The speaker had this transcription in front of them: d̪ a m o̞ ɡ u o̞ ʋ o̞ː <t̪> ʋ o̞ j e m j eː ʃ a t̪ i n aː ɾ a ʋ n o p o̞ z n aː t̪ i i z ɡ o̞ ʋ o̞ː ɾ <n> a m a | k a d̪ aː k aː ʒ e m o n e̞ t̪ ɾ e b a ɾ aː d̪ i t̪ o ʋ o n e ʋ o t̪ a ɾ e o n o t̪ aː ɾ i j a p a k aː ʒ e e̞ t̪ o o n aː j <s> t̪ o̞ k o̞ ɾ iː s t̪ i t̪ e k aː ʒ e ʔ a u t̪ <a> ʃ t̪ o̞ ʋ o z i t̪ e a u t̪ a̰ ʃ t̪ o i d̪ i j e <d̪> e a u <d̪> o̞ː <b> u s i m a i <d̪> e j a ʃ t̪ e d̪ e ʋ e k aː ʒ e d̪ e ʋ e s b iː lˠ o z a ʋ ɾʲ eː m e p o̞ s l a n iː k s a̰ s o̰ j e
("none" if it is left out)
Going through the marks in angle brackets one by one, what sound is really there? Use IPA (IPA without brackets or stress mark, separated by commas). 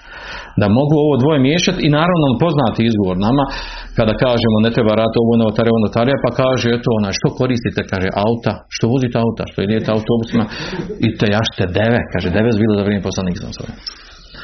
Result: d̪, n, ʃ, a, t̪, t̪, b, t̪